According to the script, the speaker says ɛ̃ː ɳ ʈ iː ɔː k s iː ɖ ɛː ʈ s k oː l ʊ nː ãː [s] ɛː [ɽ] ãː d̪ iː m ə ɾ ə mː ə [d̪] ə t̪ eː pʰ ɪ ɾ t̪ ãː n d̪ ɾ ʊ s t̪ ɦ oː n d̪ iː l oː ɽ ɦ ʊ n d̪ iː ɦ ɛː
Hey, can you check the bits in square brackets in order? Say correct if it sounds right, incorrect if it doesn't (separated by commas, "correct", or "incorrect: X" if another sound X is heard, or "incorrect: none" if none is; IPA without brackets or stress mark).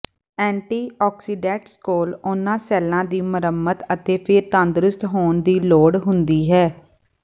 correct, incorrect: l, incorrect: t̪